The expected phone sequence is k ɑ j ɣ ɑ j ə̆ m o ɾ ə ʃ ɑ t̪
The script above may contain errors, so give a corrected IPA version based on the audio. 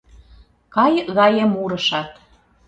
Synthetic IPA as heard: k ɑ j ɣ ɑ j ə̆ m u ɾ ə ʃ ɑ t̪